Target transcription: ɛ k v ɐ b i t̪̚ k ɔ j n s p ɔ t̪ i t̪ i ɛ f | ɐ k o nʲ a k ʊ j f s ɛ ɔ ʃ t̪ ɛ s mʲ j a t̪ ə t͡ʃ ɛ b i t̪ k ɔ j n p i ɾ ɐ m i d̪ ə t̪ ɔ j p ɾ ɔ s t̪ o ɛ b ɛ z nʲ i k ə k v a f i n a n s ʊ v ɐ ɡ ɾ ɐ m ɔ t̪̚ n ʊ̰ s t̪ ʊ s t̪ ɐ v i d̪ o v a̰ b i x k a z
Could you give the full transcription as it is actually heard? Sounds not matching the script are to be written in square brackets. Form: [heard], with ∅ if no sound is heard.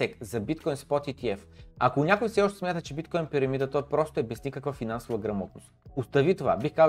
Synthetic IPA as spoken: ɛ k [z] ɐ b i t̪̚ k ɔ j n s p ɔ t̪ i t̪ i ɛ f | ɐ k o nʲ a k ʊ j f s ɛ ɔ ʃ t̪ ɛ s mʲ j a t̪ ə t͡ʃ ɛ b i t̪ k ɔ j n p i ɾ ɐ m i d̪ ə t̪ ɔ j p ɾ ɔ s t̪ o ɛ b ɛ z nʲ i k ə k v a f i n a n s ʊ v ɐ ɡ ɾ ɐ m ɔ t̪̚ n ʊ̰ s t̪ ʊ s t̪ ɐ v i [t̪] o v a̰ b i x k a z